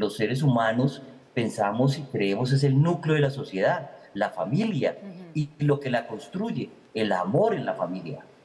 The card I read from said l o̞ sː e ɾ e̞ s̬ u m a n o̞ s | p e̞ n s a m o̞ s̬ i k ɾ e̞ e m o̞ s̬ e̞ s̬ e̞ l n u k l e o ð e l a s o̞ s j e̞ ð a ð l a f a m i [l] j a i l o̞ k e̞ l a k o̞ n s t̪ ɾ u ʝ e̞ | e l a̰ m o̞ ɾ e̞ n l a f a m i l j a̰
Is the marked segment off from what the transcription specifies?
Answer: no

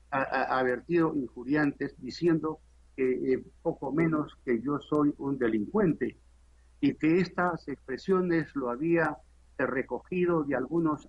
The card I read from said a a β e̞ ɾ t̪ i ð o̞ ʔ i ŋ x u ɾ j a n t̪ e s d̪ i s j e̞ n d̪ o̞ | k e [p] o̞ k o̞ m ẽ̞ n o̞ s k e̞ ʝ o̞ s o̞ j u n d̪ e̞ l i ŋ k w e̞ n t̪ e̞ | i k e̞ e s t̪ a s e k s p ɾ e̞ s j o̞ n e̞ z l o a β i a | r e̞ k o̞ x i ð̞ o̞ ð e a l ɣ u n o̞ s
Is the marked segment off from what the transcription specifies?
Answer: no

